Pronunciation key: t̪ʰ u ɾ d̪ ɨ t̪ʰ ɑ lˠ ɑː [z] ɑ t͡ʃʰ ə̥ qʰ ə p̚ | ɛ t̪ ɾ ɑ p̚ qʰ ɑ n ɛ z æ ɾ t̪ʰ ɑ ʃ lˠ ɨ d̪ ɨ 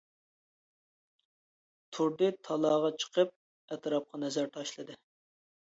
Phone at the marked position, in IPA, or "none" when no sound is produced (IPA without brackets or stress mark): ʁ